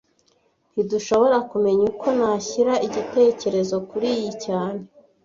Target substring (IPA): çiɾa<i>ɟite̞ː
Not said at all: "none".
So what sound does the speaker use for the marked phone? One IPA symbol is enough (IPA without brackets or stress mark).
i